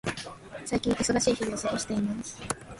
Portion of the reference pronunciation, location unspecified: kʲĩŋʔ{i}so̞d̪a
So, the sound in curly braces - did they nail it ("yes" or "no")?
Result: yes